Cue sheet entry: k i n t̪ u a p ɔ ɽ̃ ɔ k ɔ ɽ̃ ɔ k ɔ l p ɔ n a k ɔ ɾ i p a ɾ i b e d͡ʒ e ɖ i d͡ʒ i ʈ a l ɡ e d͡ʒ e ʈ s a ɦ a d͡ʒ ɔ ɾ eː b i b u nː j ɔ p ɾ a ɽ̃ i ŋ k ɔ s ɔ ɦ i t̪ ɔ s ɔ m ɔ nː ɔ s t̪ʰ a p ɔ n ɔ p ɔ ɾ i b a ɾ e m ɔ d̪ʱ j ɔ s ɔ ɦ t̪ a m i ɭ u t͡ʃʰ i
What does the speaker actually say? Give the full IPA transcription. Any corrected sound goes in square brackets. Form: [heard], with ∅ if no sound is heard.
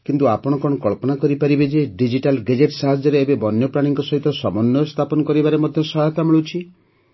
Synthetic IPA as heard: k i n t̪ u a p ɔ ɽ̃ ɔ k ɔ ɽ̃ ɔ k ɔ [ɭ] p ɔ n a k ɔ ɾ i p a ɾ i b e d͡ʒ e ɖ i d͡ʒ i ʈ a l ɡ e d͡ʒ e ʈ s a ɦ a d͡ʒ ɔ ɾ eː b [e] b [ɔ] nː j ɔ p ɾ a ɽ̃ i ŋ k ɔ s ɔ ɦ i t̪ ɔ s ɔ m ɔ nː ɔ s t̪ʰ a p ɔ n ɔ [k] ɔ ɾ i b a ɾ e m ɔ d̪ʱ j ɔ s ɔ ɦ t̪ a m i ɭ u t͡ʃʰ i